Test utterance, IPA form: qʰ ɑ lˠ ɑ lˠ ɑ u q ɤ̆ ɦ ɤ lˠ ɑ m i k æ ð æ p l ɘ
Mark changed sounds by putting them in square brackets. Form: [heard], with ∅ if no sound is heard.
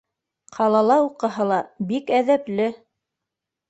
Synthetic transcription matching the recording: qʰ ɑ lˠ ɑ lˠ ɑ u q ɤ̆ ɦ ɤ lˠ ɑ [b] i k æ ð æ p l ɘ